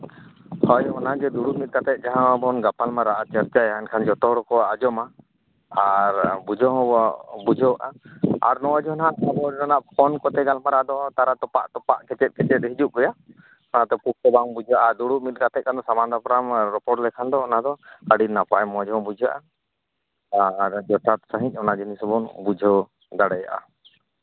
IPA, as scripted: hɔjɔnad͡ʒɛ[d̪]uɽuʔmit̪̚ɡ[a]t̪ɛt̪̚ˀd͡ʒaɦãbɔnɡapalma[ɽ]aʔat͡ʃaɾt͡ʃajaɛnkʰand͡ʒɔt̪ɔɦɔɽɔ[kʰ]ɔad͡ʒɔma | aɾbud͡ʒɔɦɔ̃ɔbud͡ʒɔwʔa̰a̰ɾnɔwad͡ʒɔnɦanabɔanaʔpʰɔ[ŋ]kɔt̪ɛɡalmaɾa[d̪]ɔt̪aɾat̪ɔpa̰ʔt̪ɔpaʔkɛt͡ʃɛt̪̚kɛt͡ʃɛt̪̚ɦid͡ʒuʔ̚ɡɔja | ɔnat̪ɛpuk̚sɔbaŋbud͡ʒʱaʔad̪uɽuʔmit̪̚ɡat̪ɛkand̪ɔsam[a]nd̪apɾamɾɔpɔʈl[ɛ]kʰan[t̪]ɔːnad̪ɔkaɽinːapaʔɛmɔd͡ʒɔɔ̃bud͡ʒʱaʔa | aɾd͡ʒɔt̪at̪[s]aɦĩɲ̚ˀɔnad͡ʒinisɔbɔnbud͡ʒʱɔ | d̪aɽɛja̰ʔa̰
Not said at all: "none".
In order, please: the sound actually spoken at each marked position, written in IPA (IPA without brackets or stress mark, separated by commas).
d̪, a, ɾ, k, n, d̪, a, ɛ, d̪, s